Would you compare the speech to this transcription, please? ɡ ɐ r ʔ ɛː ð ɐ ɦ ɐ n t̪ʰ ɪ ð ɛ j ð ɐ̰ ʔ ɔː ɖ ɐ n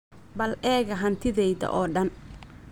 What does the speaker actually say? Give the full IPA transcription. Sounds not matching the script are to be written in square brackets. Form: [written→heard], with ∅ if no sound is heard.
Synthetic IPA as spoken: [ɡ→b] ɐ [r→l] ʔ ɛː [ð→ɣ] ɐ ɦ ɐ n t̪ʰ ɪ ð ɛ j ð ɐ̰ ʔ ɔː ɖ ɐ n